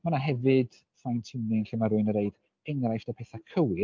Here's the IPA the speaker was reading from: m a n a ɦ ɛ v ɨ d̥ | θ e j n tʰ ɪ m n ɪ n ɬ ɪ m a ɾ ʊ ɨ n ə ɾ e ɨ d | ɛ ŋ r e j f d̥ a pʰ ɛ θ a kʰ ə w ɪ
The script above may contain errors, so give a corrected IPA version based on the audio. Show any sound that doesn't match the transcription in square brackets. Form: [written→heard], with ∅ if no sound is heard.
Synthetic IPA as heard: m a n a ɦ ɛ v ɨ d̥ | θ [e→a] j n tʰ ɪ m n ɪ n ɬ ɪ m a ɾ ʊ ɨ n ə ɾ e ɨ d | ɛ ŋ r [e→a] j f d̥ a pʰ ɛ θ a kʰ ə w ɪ